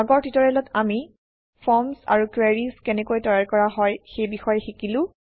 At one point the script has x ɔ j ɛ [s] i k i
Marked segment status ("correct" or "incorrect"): incorrect